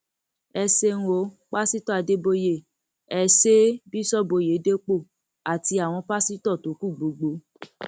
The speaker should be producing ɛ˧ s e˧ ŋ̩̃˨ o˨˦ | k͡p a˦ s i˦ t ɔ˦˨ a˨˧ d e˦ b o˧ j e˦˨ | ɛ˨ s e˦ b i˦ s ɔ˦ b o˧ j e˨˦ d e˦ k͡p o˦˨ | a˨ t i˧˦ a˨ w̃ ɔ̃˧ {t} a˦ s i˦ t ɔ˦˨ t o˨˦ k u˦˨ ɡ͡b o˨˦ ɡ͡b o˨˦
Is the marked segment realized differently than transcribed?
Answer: yes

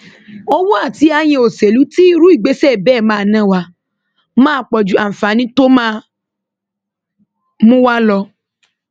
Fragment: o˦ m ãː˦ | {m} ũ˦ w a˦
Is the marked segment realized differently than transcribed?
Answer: no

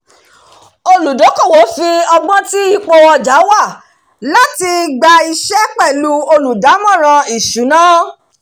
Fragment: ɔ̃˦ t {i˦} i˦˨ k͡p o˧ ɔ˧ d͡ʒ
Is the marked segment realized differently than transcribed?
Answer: no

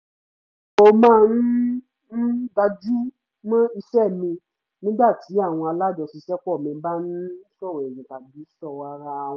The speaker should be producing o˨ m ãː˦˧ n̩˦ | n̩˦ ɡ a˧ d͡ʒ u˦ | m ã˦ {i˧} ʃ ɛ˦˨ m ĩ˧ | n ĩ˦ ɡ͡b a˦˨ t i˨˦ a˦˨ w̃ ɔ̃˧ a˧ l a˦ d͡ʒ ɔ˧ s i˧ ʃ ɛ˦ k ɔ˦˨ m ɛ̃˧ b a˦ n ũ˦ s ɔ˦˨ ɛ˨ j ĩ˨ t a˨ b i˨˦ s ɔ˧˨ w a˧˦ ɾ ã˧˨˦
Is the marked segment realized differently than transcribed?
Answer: no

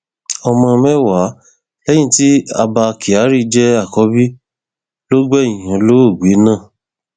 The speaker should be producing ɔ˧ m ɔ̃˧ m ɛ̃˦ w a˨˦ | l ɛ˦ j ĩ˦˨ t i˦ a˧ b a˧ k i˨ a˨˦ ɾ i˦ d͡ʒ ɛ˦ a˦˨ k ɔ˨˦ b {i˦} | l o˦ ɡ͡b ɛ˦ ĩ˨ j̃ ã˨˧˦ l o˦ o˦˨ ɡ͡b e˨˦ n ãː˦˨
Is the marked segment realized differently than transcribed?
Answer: no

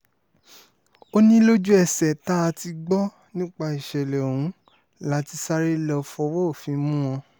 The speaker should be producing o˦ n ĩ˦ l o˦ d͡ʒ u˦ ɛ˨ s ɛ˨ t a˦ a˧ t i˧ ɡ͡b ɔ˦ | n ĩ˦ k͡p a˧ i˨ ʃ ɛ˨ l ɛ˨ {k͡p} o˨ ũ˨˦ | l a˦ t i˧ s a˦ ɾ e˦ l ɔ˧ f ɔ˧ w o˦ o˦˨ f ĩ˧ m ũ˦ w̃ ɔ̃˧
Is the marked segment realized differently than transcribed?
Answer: yes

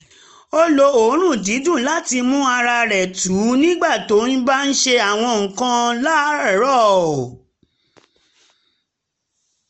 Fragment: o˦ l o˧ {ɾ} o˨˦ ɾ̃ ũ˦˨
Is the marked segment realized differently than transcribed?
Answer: yes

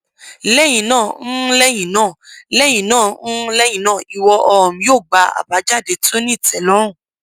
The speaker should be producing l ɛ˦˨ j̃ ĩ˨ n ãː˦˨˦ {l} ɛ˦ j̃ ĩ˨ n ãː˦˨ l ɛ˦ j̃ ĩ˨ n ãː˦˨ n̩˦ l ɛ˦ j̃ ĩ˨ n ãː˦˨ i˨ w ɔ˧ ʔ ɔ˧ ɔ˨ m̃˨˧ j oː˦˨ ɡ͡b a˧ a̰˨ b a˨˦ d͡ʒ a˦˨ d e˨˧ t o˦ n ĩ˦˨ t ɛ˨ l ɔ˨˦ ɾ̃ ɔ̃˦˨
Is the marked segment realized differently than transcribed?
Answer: no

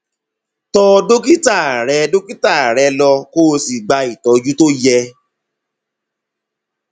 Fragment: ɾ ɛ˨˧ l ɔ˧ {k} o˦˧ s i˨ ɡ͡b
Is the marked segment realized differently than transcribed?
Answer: no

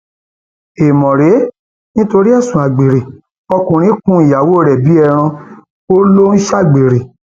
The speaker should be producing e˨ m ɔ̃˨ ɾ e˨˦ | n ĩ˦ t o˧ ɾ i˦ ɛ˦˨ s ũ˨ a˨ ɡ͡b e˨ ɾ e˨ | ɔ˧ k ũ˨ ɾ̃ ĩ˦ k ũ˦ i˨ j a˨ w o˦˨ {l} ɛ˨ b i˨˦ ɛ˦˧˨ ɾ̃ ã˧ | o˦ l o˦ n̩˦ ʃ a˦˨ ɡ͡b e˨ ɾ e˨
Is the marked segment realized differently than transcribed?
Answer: yes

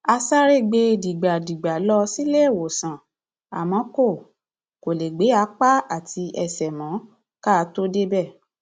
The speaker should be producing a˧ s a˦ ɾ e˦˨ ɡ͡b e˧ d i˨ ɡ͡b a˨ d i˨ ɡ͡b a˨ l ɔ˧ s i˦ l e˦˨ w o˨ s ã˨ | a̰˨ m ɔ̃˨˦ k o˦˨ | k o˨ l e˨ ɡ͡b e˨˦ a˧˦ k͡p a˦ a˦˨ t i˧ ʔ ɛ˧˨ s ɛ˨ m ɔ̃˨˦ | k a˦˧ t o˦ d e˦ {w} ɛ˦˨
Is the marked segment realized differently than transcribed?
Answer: yes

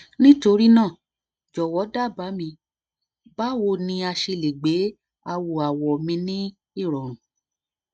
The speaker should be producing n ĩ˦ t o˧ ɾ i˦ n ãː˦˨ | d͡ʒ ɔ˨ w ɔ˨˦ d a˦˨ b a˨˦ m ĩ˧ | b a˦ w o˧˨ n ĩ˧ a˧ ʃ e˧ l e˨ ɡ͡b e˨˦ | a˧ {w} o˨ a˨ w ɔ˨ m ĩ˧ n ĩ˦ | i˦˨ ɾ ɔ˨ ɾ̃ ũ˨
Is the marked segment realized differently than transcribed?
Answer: no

